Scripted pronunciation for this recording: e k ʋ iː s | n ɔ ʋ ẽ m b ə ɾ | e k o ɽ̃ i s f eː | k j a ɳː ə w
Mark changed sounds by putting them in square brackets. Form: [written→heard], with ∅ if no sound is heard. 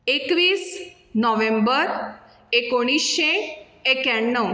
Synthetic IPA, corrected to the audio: e k ʋ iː s | n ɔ ʋ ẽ m b ə ɾ | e k o ɽ̃ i s [f→ɕ] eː | k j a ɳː ə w